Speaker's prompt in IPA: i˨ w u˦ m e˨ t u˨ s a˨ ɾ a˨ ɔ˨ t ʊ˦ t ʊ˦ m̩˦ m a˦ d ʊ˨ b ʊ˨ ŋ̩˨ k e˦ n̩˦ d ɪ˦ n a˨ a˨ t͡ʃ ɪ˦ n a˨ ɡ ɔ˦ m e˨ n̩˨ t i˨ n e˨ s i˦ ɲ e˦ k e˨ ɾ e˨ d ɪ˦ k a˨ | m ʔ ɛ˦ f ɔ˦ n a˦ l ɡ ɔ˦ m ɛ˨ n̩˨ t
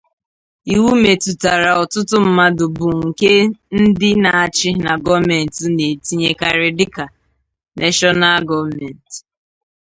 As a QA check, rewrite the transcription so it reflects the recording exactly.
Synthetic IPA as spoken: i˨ w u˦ m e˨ t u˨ t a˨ ɾ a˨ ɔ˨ t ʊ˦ t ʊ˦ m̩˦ m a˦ d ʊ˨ b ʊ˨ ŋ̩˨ k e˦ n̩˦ d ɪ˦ n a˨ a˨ t͡ʃ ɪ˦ n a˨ ɡ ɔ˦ m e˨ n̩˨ t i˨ n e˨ t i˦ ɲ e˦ k a˨ ɾ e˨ d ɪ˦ k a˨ | n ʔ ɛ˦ ʃ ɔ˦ n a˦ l ɡ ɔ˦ m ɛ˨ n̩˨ t